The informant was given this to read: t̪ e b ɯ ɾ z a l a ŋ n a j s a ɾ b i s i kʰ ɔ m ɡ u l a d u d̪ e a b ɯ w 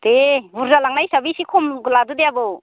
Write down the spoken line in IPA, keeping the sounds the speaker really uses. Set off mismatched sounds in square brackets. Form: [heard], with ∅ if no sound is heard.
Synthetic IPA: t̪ e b [u] ɾ z a l a ŋ n a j s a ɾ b i s i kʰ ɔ m ɡ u l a d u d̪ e a b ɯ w